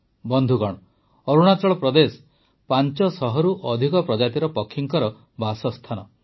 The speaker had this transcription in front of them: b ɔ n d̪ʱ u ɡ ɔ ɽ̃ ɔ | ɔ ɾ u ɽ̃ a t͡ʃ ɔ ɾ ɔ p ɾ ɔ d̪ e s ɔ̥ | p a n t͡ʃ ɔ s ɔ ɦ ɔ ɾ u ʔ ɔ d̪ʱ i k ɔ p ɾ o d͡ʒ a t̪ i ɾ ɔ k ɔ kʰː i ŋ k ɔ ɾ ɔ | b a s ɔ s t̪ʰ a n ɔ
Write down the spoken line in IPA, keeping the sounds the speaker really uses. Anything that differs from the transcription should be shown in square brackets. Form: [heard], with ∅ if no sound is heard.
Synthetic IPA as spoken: b ɔ n d̪ʱ u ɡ ɔ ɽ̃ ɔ | ɔ ɾ u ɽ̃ a t͡ʃ ɔ [ɭ] ɔ p ɾ ɔ d̪ e s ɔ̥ | p a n t͡ʃ ɔ s ɔ ɦ ɔ ɾ u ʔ ɔ d̪ʱ i k ɔ p ɾ [ɔ] d͡ʒ a t̪ i ɾ ɔ [p] ɔ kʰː i ŋ k ɔ ɾ ɔ | b a s ɔ s t̪ʰ a n ɔ